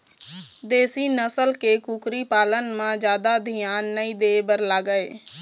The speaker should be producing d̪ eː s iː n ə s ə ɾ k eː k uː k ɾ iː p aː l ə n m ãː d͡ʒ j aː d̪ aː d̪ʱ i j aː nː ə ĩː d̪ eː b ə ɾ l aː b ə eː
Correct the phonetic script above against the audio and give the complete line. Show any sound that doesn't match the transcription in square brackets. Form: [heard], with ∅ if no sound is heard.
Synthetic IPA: d̪ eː s iː n ə s ə [l] k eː k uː k ɾ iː p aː l ə n m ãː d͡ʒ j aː d̪ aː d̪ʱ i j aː nː ə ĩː d̪ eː b ə ɾ l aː [ɡ] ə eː

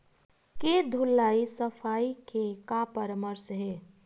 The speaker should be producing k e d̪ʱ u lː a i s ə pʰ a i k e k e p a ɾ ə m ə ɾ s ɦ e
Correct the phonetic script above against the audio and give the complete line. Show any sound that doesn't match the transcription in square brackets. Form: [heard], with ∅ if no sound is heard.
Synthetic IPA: k e d̪ʱ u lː a i s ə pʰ a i k e k [a] p [ə] ɾ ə m ə ɾ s ɦ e

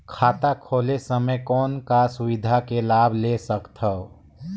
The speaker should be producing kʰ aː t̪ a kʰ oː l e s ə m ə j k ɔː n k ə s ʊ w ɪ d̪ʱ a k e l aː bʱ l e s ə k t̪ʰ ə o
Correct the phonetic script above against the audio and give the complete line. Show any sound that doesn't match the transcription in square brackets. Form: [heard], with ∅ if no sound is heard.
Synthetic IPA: kʰ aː t̪ a kʰ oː l e s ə m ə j k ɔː n k [a] s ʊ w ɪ d̪ʱ a k e l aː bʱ l e s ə k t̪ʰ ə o

